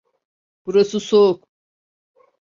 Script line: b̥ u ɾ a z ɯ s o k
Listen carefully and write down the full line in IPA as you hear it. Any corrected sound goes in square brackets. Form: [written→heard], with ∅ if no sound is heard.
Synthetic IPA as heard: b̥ u ɾ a [z→s] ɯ s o k